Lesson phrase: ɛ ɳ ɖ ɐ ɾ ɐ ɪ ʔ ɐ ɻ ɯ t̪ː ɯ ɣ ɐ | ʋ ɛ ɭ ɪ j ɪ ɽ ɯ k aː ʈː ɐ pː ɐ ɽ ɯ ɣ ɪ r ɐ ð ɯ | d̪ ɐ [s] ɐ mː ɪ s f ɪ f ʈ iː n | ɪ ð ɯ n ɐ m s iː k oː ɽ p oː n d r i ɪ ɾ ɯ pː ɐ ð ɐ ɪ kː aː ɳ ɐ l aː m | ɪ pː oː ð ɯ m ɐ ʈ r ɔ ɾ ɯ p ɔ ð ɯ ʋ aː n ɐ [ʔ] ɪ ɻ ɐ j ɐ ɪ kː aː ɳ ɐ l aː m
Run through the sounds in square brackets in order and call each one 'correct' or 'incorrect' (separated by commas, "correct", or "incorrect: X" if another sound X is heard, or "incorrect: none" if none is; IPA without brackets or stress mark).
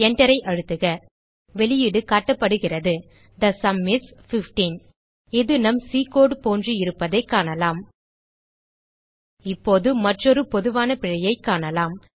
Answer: correct, incorrect: p